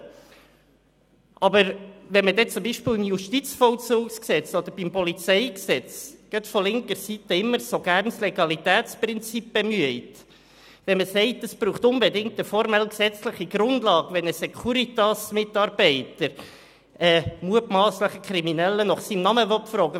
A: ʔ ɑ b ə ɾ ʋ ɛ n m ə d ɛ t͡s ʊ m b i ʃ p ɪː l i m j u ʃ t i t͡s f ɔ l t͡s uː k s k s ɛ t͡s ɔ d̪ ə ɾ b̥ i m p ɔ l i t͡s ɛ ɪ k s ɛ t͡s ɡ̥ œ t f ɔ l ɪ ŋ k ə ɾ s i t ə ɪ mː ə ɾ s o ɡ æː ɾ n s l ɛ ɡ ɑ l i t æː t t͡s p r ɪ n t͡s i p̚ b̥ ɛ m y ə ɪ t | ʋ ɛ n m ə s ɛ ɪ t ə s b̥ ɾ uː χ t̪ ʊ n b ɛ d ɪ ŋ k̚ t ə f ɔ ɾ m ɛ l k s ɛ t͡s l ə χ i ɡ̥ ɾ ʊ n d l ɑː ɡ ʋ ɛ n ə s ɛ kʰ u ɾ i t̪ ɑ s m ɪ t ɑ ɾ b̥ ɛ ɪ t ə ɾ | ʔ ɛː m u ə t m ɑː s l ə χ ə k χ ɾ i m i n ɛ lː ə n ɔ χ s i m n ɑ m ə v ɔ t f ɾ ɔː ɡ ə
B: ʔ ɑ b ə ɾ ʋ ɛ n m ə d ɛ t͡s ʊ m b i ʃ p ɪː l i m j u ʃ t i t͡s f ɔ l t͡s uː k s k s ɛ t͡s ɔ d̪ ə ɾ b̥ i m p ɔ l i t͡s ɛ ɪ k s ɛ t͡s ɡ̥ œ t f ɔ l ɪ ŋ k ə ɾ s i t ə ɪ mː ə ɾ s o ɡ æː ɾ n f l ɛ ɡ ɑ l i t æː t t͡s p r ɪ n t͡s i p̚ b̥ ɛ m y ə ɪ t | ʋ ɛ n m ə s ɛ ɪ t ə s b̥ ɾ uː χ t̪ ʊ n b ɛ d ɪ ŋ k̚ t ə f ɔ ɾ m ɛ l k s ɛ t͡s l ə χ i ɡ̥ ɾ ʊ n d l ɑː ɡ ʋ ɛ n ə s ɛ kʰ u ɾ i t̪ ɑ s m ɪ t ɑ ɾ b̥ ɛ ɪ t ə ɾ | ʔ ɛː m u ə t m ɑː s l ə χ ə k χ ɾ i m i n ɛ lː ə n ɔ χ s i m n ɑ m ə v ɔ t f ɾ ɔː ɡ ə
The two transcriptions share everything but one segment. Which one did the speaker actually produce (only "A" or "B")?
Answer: A